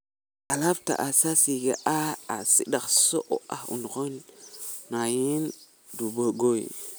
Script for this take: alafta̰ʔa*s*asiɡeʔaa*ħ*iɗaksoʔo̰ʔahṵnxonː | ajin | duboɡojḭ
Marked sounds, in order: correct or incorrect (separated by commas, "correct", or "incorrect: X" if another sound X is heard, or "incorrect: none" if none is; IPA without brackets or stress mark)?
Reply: correct, incorrect: s